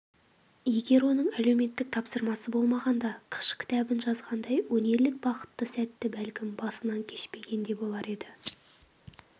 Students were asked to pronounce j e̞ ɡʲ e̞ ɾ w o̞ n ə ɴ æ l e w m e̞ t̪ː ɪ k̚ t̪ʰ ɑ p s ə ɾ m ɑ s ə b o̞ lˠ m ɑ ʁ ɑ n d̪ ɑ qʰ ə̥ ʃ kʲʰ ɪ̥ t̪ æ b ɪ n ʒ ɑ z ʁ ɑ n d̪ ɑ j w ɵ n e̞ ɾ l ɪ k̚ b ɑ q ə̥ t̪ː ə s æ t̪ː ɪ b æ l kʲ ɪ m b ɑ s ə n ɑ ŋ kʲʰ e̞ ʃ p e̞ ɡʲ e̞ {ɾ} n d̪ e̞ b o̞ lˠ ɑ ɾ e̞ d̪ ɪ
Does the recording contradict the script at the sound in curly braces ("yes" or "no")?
yes